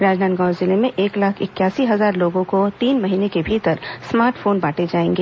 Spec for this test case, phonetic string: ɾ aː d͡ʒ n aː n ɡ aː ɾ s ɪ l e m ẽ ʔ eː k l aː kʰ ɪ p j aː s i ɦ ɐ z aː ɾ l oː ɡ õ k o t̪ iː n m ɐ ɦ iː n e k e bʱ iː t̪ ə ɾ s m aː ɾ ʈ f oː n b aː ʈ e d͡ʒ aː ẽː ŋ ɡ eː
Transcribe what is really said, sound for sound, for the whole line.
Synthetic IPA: ɾ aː d͡ʒ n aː n ɡ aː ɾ z ɪ l e m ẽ ʔ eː k l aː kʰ ɪ k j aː s i ɦ ɐ z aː ɾ l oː ɡ õ k o t̪ iː n m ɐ ɦ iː n e k e bʱ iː t̪ ə ɾ s m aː ɾ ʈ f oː n b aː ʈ e d͡ʒ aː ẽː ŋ ɡ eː